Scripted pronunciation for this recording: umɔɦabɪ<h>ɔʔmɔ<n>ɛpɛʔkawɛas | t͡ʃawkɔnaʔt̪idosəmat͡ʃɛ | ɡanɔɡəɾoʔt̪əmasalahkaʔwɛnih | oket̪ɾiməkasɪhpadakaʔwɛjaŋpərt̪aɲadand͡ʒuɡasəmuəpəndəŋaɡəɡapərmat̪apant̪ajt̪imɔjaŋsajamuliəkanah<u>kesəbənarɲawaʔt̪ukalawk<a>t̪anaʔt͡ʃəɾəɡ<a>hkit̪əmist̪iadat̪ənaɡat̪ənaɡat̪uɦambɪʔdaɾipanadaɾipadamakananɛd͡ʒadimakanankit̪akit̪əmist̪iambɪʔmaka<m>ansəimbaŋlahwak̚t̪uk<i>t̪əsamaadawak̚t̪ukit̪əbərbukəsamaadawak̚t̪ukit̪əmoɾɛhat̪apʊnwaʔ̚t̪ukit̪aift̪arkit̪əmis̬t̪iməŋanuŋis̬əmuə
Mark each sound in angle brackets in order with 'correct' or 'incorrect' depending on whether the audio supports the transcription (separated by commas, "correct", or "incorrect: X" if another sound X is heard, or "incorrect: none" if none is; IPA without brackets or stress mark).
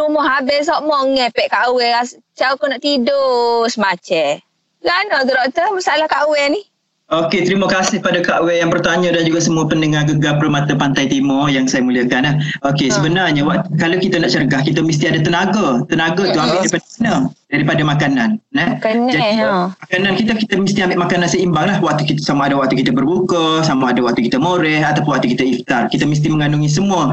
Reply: incorrect: s, incorrect: ŋ, incorrect: o, incorrect: i, correct, incorrect: n, correct